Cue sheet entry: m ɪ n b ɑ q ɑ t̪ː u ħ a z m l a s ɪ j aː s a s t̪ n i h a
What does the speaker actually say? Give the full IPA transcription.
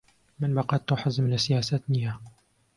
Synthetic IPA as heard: m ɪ n b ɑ q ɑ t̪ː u ħ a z m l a s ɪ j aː s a t̪ n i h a